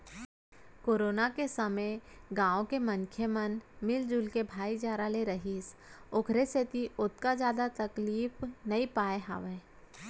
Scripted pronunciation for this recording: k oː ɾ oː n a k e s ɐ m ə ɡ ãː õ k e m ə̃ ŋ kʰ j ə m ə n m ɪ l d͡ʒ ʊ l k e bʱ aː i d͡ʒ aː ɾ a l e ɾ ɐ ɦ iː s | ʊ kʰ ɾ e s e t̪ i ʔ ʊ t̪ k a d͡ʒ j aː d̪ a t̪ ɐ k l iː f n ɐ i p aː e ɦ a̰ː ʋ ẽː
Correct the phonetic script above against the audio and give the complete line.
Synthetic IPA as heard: k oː ɾ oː n a k e s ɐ m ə ɡ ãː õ k e m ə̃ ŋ kʰ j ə m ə n m ɪ l d͡ʒ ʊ l k e bʱ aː i d͡ʒ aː ɾ a l e ɾ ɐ ɦ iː s | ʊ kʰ ɾ e s e t̪ i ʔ ʊ t̪ k a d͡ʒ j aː d̪ a t̪ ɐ k l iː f n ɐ i p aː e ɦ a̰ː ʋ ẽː